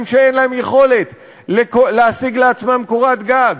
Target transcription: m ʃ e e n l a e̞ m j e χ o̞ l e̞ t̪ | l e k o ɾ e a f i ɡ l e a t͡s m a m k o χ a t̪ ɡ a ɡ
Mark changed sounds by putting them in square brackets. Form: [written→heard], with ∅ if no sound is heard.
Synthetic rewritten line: m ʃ e e n l a e̞ m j e χ o̞ l e̞ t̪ | l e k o [ɾ→l] e a [f→s] i ɡ l e a t͡s m a m k o [χ→ʁ] a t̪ ɡ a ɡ